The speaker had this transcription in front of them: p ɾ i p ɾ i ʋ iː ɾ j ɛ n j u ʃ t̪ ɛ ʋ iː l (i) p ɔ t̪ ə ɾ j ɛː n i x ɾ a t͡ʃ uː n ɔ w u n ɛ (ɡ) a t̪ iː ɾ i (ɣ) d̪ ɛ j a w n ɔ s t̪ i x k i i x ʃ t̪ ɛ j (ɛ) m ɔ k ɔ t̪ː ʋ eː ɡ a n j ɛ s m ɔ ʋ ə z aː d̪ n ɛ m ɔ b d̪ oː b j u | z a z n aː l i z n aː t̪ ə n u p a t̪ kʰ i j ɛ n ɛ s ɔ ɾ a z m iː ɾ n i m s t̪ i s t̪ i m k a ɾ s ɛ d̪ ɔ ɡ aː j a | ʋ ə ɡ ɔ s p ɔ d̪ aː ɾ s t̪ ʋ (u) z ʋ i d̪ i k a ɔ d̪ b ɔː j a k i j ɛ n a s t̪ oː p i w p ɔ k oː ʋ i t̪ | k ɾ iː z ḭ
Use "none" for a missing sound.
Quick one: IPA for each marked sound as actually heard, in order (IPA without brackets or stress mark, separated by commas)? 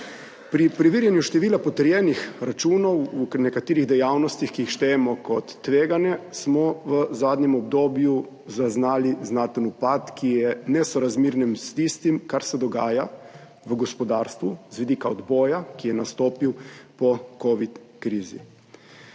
a, k, ɣ, ɛ, u